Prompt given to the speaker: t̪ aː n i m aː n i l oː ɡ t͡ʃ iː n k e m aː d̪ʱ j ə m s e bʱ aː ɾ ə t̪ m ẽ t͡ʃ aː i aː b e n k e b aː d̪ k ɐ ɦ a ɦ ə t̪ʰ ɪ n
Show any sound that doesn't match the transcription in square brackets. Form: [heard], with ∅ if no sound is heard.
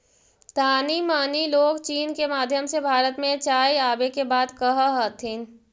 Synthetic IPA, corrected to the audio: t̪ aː n i m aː n i l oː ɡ t͡ʃ iː n k e m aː d̪ʱ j ə m s e bʱ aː ɾ ə t̪ m ẽ t͡ʃ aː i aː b e [∅] k e b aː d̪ k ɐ ɦ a ɦ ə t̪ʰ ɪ n